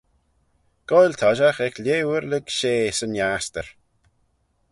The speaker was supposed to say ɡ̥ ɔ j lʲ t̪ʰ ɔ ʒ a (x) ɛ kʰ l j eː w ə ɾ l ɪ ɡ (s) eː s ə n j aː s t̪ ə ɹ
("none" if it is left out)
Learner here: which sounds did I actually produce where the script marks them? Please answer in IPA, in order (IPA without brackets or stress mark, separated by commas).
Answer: x, ʃ